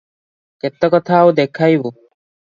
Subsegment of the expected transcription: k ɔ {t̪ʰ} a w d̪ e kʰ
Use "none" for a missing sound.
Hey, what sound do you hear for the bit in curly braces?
t̪ʰ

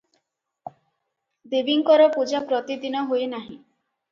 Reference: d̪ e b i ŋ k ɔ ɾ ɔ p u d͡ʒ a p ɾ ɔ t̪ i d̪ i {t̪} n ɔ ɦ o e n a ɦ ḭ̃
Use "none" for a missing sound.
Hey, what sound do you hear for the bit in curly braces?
none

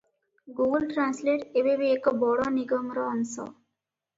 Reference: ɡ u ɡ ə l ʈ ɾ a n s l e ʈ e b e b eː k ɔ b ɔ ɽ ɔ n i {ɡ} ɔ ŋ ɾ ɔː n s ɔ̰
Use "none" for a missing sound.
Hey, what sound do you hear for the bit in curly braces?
ɡ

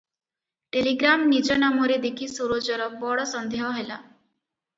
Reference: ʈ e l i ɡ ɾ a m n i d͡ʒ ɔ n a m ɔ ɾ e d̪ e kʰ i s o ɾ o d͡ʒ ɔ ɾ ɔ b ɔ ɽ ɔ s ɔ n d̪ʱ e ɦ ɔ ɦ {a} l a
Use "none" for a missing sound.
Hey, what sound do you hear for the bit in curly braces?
e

